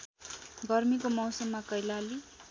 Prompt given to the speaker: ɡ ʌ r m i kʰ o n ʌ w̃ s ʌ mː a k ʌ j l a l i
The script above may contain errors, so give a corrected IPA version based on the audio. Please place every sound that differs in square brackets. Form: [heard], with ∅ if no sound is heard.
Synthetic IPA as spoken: ɡ ʌ r m i [k] o [m] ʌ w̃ s ʌ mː a k ʌ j l a l i